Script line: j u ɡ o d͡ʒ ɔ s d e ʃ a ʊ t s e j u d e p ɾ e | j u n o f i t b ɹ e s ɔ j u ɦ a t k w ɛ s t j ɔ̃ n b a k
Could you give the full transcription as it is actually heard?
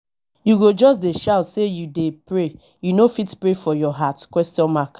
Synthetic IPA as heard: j u ɡ o d͡ʒ ɔ s d e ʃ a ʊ t s e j u d e p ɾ e | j u n o f i t p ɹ e f ɔ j ɔ ɦ a t k w ɛ s t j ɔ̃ n m a k